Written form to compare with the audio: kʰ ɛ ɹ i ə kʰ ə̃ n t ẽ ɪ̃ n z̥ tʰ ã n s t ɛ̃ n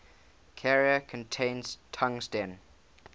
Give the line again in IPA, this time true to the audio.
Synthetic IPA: kʰ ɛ ɹ i ə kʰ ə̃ n tʰ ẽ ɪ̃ n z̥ tʰ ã ŋ s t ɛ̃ n

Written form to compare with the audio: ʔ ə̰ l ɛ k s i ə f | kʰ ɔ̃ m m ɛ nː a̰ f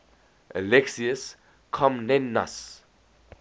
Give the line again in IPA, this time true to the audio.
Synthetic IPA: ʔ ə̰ l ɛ k s i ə s | kʰ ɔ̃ m n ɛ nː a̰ s

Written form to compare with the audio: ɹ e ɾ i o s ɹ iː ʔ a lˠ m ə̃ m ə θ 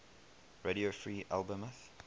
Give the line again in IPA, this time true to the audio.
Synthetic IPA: ɹ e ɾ i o f ɹ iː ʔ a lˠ b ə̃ m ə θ

